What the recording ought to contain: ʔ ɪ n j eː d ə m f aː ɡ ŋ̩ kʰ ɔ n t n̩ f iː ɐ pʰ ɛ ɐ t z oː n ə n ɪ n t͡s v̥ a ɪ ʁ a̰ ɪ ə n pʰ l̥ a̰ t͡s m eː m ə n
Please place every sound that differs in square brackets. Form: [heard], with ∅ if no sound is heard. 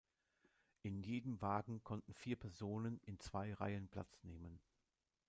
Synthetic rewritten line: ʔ ɪ n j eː d ə m [v] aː ɡ ŋ̩ kʰ ɔ n t n̩ f iː ɐ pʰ ɛ ɐ [∅] z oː n ə n ɪ n t͡s v̥ a ɪ ʁ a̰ ɪ ə n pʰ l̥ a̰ t͡s [n] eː m ə n